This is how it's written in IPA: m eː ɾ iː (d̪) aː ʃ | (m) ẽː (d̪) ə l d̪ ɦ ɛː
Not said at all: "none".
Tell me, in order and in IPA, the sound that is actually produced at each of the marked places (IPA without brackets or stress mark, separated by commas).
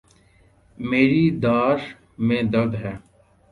d̪, m, d̪